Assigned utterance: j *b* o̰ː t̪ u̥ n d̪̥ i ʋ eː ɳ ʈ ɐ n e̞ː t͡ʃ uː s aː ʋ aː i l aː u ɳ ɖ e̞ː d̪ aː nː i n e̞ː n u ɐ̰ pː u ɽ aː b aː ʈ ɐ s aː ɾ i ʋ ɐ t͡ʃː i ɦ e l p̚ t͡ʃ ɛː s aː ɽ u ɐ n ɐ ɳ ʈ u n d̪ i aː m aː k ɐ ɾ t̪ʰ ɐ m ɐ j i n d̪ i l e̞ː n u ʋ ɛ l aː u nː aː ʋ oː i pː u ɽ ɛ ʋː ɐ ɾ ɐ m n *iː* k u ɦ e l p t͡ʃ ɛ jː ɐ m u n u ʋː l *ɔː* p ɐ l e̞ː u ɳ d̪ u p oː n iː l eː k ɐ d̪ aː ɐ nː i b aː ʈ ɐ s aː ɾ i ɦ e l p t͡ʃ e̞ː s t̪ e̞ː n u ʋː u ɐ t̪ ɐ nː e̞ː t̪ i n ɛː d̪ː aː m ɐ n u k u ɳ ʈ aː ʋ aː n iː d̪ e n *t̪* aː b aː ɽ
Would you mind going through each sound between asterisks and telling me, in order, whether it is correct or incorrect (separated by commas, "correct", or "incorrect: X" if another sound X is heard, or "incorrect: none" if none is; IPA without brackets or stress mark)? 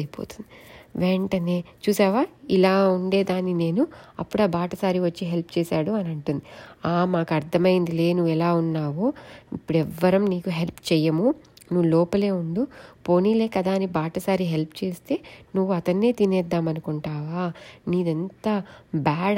incorrect: p, correct, correct, correct